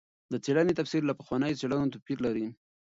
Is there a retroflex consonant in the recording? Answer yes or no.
yes